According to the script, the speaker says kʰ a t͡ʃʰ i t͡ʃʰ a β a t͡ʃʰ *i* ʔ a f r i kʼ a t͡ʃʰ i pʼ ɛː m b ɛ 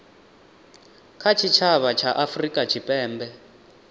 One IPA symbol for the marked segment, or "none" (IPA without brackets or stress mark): a